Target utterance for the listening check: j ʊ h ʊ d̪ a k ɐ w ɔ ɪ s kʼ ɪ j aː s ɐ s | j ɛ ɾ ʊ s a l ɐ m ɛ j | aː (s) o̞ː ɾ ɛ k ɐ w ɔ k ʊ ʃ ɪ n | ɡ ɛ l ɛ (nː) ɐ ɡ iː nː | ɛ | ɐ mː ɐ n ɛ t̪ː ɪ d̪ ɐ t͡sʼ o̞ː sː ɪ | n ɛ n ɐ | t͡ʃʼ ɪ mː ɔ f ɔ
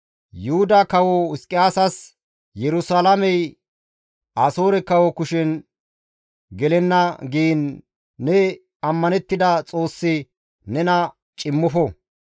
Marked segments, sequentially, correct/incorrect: correct, correct

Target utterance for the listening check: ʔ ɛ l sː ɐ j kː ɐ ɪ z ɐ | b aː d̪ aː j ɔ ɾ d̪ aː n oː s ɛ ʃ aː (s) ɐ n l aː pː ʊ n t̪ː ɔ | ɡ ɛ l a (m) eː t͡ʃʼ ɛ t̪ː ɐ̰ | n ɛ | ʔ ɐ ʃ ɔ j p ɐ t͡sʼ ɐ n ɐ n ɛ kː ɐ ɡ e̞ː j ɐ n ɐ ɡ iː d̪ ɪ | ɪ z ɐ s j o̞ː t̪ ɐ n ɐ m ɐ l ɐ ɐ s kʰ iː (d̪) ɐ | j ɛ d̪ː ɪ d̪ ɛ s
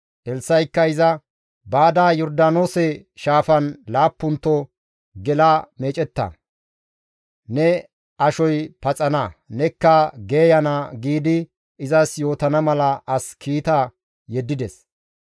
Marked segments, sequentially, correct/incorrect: incorrect: f, correct, incorrect: t̪

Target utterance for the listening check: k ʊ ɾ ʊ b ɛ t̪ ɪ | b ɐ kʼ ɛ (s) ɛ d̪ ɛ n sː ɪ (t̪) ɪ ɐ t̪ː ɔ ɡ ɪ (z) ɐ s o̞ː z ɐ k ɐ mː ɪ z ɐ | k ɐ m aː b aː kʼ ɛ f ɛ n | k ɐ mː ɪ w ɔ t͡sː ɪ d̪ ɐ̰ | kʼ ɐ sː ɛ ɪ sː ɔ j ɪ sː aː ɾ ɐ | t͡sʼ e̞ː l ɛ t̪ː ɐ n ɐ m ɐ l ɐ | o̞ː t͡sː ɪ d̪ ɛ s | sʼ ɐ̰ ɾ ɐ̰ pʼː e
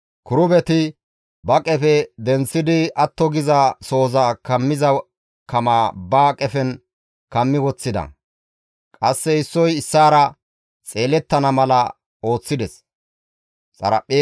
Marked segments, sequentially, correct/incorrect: incorrect: f, incorrect: d̪, correct

